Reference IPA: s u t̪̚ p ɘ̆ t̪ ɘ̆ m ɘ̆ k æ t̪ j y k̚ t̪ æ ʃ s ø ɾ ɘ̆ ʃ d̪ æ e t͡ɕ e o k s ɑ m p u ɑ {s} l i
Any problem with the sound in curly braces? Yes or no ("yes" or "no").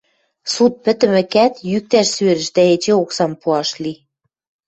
yes